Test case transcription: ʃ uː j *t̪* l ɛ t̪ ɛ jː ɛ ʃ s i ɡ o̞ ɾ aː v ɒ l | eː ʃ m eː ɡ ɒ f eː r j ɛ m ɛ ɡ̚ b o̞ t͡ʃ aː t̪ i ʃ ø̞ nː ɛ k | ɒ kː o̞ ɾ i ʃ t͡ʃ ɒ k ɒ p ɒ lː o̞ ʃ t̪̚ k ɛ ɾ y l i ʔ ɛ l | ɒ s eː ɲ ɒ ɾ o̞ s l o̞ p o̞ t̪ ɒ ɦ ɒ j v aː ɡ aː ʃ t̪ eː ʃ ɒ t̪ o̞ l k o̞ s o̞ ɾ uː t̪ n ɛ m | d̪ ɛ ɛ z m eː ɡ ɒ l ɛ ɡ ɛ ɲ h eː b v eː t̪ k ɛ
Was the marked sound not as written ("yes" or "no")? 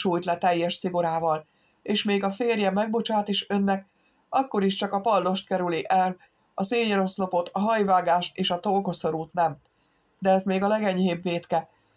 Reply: no